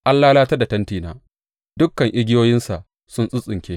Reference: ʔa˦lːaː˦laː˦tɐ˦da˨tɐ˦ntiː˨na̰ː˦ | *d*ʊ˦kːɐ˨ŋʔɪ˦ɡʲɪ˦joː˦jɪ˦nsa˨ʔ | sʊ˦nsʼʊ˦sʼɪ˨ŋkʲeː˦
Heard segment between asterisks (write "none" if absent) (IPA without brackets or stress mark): d